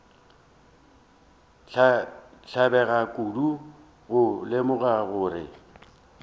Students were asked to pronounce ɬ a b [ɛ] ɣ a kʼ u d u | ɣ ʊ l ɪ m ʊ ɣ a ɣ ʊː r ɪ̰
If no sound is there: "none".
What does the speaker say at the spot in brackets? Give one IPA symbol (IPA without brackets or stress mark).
ɛ